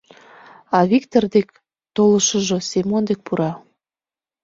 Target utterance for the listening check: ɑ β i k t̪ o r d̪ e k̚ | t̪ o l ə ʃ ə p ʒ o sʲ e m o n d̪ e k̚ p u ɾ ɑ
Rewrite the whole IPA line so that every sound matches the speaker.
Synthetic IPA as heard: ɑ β i k t̪ o r d̪ e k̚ | t̪ o l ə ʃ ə ʒ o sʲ e m o n d̪ e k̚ p u ɾ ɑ